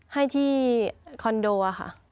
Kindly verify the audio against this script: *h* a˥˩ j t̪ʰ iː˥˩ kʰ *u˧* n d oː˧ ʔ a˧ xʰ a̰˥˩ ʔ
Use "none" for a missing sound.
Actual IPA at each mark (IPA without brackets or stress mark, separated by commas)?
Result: h, ɔ˧